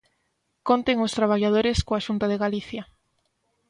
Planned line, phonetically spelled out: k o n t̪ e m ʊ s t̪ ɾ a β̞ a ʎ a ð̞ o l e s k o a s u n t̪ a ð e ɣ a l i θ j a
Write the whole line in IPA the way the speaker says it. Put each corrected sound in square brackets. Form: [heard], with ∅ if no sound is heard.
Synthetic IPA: k o n t̪ e [ŋ] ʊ s t̪ ɾ a β̞ a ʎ a ð̞ o [ɾ] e s k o a [ʃ] u n t̪ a ð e ɣ a l i θ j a